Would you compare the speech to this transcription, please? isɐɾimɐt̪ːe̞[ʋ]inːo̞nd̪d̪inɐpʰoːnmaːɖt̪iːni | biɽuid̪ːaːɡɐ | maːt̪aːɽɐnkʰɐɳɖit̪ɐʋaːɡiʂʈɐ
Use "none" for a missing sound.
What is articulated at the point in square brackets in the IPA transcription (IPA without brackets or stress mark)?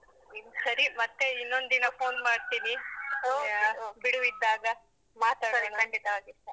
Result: none